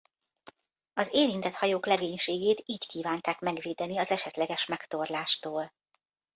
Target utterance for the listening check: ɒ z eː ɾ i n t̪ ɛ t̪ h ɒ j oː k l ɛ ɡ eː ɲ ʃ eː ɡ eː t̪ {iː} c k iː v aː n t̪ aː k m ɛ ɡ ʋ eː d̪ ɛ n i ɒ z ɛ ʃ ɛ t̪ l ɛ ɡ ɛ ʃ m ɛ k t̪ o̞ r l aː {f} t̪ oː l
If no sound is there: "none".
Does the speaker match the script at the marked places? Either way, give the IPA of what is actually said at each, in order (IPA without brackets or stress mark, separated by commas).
iː, ʃ